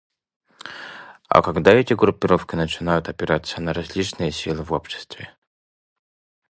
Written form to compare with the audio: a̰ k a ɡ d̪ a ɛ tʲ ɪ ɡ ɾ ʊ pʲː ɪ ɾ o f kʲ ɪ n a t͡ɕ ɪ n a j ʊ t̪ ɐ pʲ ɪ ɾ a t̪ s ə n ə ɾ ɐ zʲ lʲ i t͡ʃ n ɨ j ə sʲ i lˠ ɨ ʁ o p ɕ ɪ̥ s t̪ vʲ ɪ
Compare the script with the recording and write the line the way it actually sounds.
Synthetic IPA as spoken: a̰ k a ɡ d̪ a ɛ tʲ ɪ ɡ ɾ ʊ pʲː ɪ ɾ o f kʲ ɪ n ə t͡ɕ ɪ n a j ʊ t̪ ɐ pʲ ɪ ɾ a t̪ s ə n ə ɾ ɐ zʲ lʲ i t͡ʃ n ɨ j ə sʲ i lˠ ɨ v o p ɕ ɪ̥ s t̪ vʲ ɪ